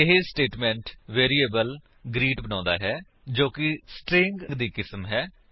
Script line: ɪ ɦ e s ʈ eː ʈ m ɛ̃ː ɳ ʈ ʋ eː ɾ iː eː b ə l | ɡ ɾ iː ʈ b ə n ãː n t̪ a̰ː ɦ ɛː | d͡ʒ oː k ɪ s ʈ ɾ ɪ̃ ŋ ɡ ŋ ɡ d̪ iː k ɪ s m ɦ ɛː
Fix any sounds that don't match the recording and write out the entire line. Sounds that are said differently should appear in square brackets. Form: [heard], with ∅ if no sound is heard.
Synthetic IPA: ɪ ɦ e s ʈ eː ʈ m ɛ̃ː ɳ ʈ ʋ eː ɾ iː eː b ə l | ɡ ɾ iː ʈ b ə n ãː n [d̪] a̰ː ɦ ɛː | d͡ʒ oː k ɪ s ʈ ɾ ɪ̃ ŋ ɡ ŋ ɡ d̪ iː k ɪ s m ɦ ɛː